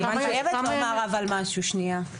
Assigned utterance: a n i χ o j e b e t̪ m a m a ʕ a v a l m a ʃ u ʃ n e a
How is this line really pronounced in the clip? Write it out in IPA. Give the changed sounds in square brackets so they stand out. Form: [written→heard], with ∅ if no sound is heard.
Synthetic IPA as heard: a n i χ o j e [b→v] e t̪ m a m a [ʕ→ʁ] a v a l m a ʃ u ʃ n [e→i] a